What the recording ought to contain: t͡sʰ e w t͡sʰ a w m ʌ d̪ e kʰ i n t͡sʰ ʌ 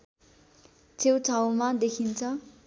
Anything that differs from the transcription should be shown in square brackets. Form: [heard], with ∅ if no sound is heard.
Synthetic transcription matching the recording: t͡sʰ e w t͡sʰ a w m [a] d̪ e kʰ i n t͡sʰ ʌ